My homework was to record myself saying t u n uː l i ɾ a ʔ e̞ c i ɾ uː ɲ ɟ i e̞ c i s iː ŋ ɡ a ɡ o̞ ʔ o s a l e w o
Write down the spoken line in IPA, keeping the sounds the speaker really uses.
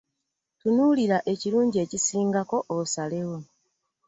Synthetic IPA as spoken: t u n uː l i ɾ a ʔ e̞ c i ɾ uː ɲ ɟ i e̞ c i s iː ŋ ɡ a k o̞ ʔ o s a l e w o